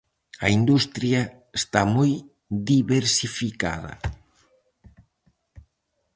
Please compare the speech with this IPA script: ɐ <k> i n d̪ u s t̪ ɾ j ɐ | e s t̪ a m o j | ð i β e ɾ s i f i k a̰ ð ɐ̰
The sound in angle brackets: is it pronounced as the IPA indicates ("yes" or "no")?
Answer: no